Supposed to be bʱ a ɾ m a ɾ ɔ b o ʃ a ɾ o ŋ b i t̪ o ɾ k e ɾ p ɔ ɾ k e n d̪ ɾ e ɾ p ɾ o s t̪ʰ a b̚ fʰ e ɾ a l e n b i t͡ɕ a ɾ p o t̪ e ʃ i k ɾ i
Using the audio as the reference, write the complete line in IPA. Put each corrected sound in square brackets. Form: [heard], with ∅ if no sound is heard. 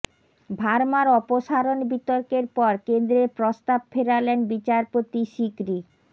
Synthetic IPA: bʱ a ɾ m a ɾ ɔ [p] o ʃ a ɾ o [n] b i t̪ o ɾ k e ɾ p ɔ ɾ k e n d̪ ɾ e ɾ p ɾ o s [t̪] a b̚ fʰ e ɾ a l e n b i t͡ɕ a ɾ p o t̪ [i] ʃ i k ɾ i